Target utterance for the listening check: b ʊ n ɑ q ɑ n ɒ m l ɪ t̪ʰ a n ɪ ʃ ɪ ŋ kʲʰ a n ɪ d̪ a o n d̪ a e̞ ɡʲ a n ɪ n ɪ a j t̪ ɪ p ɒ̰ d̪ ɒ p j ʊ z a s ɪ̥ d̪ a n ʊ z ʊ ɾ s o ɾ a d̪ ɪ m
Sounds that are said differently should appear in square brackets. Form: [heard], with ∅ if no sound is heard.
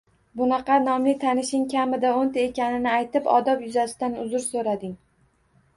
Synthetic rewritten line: b ʊ n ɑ q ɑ n ɒ m l ɪ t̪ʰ a n ɪ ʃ ɪ ŋ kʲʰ a [m] ɪ d̪ a o n [t̪] a e̞ [kʲ] a n ɪ n ɪ a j t̪ ɪ p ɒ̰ d̪ ɒ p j ʊ z a s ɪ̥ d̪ a n ʊ z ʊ ɾ s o ɾ a d̪ ɪ [ŋ]